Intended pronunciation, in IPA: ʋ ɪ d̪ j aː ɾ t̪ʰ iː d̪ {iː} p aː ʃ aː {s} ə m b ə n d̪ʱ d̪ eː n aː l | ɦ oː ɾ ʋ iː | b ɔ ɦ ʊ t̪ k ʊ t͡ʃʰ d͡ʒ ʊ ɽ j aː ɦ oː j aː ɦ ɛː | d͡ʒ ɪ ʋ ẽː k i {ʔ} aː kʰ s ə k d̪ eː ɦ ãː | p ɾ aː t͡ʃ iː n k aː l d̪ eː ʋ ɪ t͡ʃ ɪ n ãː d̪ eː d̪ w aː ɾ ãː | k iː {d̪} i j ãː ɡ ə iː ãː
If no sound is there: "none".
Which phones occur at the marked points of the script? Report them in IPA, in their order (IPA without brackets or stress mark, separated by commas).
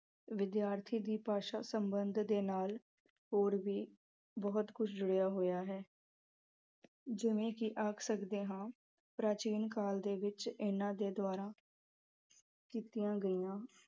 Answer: iː, s, ʔ, t̪